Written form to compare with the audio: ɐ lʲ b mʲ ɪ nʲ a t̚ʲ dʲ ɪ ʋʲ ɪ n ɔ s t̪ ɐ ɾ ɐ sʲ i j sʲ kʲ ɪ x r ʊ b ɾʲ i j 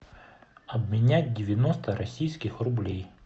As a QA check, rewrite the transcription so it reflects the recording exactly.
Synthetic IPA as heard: ɐ b mʲ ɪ nʲ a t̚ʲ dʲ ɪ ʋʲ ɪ n ɔ s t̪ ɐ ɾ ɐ sʲ i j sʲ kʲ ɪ x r ʊ b lʲ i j